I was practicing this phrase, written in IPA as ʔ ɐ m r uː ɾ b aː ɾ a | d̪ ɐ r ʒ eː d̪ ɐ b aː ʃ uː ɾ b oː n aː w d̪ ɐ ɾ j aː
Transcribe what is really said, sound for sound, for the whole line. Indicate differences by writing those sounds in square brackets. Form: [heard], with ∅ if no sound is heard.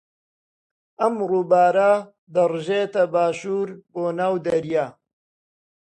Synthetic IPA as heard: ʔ ɐ m r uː [∅] b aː ɾ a | d̪ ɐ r ʒ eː [t̪] ɐ b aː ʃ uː ɾ b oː n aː w d̪ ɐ ɾ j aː